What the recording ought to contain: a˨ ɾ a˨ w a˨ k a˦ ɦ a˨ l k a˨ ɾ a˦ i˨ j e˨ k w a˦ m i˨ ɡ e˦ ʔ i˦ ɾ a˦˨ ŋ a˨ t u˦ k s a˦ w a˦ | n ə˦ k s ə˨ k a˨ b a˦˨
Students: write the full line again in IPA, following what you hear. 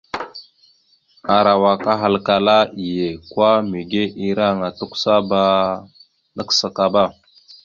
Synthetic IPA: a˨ ɾ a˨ w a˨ k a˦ ɦ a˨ l k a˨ l a˦ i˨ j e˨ k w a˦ m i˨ ɡ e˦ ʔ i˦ ɾ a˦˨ ŋ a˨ t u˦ k s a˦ b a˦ | n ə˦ k s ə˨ k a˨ b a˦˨